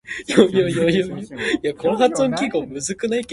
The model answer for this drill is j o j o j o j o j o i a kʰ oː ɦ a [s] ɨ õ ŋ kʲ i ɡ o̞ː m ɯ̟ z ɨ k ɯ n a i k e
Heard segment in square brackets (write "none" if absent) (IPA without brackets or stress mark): t͡s